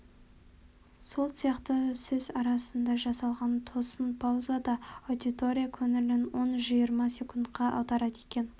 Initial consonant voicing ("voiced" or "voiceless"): voiceless